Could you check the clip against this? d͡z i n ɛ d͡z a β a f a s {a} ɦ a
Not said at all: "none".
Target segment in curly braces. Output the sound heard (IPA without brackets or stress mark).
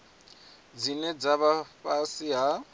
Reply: i